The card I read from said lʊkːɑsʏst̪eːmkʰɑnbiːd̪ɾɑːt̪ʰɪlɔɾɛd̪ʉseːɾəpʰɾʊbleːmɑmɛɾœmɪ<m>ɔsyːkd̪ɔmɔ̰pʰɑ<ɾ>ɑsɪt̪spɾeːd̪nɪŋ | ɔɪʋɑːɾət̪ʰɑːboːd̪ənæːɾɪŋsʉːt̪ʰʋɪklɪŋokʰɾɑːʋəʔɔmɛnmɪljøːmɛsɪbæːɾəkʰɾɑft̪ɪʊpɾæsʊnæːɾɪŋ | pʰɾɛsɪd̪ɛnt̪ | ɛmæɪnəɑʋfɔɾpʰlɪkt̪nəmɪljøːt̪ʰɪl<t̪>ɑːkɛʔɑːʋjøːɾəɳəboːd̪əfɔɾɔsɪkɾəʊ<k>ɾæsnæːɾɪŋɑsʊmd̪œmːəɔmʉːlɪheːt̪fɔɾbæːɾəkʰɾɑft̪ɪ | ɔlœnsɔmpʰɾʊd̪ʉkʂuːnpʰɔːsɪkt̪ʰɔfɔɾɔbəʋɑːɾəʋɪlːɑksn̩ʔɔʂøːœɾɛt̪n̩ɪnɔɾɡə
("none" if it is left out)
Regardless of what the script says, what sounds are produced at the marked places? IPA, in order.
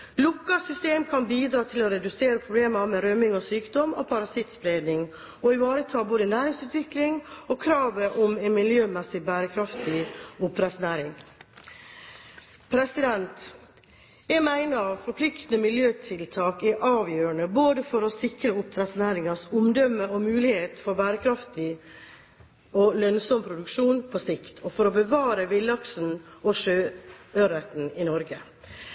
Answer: ŋ, ɾ, t̪ʰ, p

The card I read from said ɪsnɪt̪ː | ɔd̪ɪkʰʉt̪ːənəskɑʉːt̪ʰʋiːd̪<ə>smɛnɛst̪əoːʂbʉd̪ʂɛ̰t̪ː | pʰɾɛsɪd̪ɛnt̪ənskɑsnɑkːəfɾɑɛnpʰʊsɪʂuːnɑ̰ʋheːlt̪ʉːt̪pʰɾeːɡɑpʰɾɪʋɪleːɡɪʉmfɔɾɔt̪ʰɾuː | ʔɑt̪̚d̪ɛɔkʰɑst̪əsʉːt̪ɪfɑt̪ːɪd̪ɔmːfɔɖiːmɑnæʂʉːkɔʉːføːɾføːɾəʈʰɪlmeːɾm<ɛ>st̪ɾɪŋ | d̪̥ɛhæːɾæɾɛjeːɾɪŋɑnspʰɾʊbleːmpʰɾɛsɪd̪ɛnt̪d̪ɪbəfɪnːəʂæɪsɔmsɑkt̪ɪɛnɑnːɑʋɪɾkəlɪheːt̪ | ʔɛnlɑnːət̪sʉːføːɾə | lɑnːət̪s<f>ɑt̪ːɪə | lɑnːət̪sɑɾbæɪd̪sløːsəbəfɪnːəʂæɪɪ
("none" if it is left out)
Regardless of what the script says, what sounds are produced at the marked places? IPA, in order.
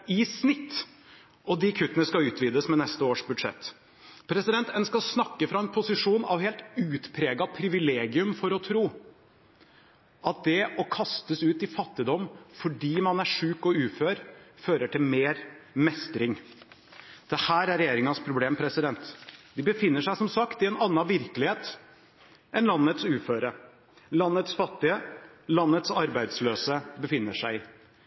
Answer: ə, ɛ, f

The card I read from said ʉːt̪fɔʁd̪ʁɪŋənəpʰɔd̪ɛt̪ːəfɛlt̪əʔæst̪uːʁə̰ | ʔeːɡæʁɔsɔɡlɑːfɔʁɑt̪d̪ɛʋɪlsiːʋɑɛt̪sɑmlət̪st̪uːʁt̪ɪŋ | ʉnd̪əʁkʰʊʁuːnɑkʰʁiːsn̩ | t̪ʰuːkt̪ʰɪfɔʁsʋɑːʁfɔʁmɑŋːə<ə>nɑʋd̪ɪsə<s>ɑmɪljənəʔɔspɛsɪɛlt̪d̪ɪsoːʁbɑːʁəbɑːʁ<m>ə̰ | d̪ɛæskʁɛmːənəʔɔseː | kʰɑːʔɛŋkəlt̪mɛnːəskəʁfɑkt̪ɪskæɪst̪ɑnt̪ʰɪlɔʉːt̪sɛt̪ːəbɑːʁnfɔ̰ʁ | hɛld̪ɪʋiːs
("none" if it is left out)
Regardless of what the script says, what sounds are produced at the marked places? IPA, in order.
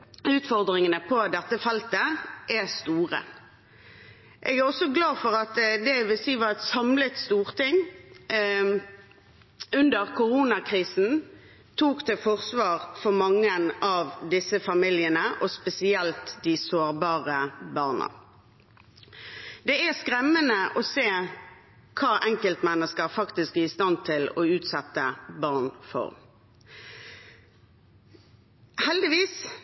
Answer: ə, f, n

